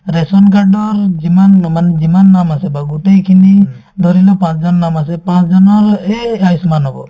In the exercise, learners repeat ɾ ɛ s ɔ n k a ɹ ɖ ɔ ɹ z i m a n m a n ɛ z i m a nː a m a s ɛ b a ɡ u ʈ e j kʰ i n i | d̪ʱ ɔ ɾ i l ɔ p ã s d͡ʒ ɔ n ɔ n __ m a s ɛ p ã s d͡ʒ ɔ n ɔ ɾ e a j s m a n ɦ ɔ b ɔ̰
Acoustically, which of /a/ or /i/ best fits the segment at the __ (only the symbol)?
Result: a